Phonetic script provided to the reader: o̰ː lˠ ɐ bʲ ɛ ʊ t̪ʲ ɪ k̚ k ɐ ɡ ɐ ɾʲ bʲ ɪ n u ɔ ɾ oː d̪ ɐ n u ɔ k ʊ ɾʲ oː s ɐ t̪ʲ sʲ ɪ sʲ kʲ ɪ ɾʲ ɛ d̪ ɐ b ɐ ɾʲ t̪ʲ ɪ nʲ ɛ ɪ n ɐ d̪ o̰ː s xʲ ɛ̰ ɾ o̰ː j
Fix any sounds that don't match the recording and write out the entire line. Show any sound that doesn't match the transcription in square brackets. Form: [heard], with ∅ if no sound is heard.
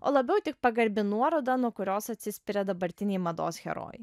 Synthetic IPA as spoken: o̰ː lˠ ɐ bʲ ɛ ʊ t̪ʲ ɪ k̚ [p] ɐ ɡ ɐ ɾʲ bʲ ɪ n u ɔ ɾ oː d̪ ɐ n u ɔ k ʊ ɾʲ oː s ɐ t̪ʲ sʲ ɪ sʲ [pʲ] ɪ ɾʲ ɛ d̪ ɐ b ɐ ɾʲ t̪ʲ ɪ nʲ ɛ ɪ [m] ɐ d̪ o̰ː s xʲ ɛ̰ ɾ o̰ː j